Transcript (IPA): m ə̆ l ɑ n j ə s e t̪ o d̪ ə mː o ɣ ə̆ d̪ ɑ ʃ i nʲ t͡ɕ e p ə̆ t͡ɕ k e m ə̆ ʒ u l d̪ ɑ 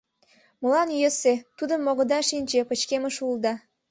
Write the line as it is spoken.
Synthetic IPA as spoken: m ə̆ l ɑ n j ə s e t̪ u d̪ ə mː o ɣ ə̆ d̪ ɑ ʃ i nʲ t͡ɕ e p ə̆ t͡ɕ k e m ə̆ ʃ u l d̪ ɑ